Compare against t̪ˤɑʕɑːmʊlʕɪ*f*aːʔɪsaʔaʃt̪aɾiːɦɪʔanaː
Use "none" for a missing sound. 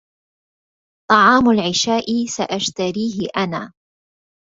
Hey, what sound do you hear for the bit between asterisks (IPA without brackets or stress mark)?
ʃ